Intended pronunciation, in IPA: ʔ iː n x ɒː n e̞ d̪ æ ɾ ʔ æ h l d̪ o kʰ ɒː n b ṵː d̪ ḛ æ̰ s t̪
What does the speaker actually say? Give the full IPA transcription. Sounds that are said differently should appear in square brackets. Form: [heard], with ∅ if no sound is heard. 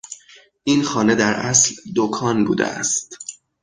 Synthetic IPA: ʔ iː n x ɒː n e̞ d̪ æ ɾ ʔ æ [s] l d̪ o kʰ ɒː n b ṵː d̪ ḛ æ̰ s t̪